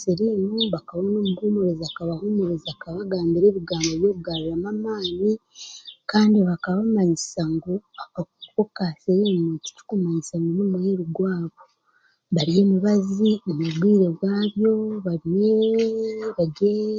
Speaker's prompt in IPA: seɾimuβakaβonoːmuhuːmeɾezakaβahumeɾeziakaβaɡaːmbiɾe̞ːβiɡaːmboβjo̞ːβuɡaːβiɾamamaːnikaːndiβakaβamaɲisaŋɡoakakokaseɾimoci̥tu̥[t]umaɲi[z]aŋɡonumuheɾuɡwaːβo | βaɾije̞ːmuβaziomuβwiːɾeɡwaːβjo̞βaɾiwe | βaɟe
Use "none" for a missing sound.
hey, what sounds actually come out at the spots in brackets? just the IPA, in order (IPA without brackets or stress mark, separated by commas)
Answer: k, s